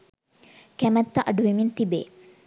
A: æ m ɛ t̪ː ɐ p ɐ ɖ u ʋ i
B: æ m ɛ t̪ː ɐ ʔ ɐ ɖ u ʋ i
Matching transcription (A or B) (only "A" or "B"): B